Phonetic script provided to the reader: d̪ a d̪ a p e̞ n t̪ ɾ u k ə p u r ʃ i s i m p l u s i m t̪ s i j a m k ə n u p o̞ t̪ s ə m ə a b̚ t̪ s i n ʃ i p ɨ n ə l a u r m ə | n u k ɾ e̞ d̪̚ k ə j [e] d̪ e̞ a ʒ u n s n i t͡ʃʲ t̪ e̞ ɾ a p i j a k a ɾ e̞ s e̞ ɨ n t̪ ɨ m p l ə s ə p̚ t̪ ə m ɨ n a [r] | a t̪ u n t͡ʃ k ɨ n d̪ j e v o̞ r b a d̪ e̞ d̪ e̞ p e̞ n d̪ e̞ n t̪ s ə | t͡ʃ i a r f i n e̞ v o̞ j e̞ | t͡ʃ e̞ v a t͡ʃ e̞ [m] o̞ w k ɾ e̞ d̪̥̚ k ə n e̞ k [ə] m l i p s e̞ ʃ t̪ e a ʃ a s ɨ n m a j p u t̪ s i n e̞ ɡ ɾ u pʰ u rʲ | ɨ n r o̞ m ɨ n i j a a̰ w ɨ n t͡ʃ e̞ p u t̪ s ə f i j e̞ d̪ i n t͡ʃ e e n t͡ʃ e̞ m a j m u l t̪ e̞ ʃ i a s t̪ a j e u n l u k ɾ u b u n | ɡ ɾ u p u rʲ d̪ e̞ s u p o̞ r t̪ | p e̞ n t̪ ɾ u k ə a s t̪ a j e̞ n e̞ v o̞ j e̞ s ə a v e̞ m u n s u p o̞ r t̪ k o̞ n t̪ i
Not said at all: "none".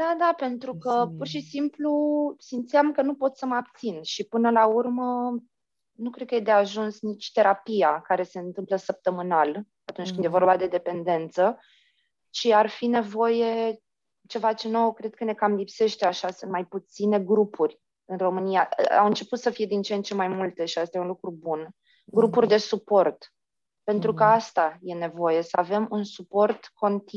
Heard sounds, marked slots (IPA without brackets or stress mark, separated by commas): e, l, n, a